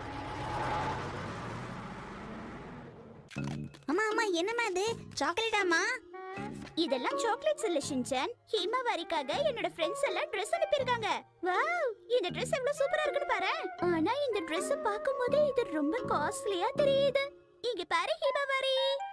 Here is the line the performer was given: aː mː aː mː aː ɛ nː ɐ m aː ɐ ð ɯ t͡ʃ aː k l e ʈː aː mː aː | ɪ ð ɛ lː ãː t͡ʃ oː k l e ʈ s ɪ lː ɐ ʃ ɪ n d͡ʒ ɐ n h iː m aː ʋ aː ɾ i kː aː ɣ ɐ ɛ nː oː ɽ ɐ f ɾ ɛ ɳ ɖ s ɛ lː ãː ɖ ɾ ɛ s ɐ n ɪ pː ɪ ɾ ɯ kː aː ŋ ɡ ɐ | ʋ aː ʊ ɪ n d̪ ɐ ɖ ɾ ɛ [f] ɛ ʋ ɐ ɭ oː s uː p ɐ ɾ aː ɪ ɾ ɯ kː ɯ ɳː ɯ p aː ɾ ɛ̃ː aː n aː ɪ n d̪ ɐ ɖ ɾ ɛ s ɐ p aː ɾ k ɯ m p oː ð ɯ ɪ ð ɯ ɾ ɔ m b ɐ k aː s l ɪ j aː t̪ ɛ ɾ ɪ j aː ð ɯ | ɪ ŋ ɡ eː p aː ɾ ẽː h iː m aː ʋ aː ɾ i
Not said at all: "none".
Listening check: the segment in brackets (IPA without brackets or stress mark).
s